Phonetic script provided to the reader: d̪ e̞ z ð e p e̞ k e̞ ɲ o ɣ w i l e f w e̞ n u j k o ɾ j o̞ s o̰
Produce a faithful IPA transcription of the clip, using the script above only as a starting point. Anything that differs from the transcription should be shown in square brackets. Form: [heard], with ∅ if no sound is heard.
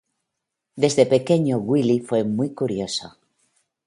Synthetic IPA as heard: d̪ e̞ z ð e p e̞ k e̞ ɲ o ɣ w i l [i] f w e̞ [m] u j k [u] ɾ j o̞ s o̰